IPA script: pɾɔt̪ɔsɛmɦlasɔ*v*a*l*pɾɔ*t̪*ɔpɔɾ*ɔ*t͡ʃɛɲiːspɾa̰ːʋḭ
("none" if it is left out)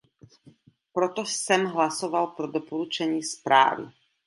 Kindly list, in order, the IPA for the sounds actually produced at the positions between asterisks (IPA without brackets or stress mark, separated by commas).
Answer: ʋ, l, d̪, u